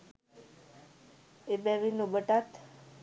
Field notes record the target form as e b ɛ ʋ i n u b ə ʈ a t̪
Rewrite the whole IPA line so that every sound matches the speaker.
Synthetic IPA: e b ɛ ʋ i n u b ə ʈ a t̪